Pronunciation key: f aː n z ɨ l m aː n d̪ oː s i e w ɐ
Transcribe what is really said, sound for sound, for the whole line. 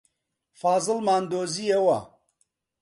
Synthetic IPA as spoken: f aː z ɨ l m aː n d̪ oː z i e w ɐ